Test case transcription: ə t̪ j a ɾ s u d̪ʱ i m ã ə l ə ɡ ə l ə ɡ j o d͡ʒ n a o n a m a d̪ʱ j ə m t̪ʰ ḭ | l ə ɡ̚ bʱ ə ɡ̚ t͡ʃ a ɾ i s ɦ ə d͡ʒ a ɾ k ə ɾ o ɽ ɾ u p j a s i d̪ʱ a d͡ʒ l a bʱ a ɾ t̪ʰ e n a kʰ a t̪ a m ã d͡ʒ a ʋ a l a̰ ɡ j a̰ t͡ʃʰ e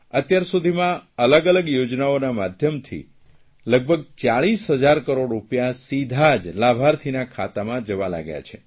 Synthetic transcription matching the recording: ə t̪ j a ɾ s u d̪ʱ i m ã ə l ə ɡ ə l ə ɡ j o d͡ʒ n a o n a m a d̪ʱ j ə m t̪ʰ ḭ | l ə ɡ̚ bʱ ə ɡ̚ t͡ʃ a ɭ i s ɦ ə d͡ʒ a ɾ k ə ɾ o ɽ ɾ u p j a s i d̪ʱ a d͡ʒ l a bʱ a ɾ t̪ʰ i n a kʰ a t̪ a m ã d͡ʒ ə ʋ a l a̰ ɡ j a̰ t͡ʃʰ e